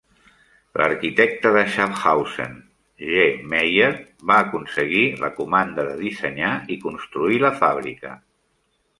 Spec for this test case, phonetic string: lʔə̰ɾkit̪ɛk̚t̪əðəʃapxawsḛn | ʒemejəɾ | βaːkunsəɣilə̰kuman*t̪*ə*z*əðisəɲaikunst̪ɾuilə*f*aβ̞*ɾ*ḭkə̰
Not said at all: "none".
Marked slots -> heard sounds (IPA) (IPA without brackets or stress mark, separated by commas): d̪, ð, f, ɾ